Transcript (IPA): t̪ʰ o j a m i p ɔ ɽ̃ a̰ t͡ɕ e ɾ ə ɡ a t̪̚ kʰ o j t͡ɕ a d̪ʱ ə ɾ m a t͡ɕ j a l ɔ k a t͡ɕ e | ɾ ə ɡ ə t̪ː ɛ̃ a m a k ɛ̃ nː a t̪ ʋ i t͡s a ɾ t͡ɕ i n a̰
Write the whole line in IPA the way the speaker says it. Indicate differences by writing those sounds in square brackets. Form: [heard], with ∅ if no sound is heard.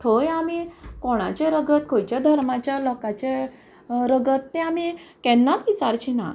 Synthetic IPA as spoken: t̪ʰ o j a m i [k] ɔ ɽ̃ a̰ t͡ɕ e ɾ ə ɡ [ə] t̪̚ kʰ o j t͡ɕ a d̪ʱ ə ɾ m a t͡ɕ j a l ɔ k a t͡ɕ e | ɾ ə ɡ ə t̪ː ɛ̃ a m [i] k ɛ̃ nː a t̪ ʋ i t͡s a ɾ t͡ɕ i n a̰